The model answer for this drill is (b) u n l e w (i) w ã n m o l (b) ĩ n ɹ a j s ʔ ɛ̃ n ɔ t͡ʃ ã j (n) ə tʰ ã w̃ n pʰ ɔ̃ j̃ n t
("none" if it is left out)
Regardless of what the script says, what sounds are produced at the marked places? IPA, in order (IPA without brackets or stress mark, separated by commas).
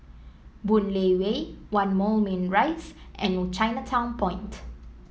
b, e, m, n